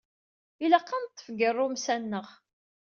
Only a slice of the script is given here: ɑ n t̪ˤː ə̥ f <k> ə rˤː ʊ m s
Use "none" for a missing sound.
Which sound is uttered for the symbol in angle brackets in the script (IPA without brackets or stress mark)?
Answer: ɡ